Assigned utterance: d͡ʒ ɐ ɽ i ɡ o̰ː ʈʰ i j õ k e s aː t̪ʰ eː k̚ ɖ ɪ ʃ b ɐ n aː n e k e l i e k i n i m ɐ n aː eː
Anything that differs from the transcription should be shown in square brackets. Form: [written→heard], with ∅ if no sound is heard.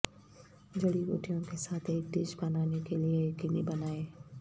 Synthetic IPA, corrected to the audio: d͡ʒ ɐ ɽ i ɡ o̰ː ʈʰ i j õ k e s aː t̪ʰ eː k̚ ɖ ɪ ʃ b ɐ n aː n e k e l i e k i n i [m→b] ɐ n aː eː